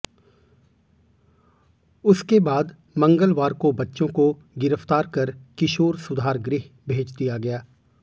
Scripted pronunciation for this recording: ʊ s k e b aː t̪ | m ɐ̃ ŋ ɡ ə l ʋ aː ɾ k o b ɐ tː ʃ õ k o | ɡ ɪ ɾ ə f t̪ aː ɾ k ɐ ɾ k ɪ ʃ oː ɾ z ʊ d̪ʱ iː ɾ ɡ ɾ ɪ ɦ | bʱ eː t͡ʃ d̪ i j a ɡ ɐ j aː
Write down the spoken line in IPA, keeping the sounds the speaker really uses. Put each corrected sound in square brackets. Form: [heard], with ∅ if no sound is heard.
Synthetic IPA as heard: ʊ s k e b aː [d̪] | m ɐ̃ ŋ ɡ ə l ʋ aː ɾ k o b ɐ tː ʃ õ k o | ɡ ɪ ɾ ə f t̪ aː ɾ k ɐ ɾ k ɪ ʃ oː ɾ [s] ʊ d̪ʱ [aː] ɾ ɡ ɾ ɪ ɦ | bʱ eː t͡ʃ d̪ i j a ɡ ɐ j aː